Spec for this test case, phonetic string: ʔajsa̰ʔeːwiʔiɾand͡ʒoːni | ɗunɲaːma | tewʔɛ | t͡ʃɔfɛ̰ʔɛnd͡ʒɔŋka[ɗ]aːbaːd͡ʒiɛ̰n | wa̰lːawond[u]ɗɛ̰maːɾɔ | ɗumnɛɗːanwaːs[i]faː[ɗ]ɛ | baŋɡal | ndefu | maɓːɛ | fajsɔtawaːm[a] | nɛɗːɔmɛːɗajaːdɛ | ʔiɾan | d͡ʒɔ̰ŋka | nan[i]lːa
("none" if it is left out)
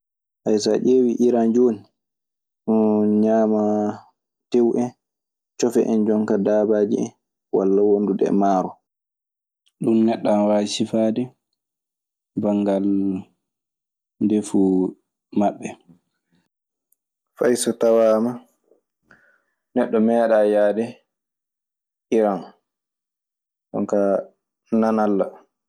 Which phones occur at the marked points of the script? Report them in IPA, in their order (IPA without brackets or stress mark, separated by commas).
d, u, i, d, a, a